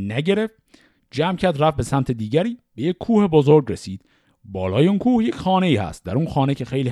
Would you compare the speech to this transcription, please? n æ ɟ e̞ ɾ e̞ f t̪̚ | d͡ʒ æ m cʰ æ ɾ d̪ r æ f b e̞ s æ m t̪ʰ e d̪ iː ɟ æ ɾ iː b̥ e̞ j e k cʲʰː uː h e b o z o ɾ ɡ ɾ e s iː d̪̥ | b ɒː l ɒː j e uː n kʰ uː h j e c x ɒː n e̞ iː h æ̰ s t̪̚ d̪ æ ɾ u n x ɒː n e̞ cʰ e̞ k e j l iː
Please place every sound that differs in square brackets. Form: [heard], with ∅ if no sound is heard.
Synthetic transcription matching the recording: n æ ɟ e̞ ɾ e̞ f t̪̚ | d͡ʒ æ m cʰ æ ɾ d̪ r æ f b e̞ s æ m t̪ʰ e d̪ iː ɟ æ ɾ iː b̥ e̞ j e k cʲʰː uː h e b o z o ɾ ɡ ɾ e s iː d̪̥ | b ɒː l ɒː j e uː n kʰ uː h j e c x ɒː n e̞ iː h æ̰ s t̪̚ d̪ æ ɾ u n x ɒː n e̞ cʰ e̞ [x] e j l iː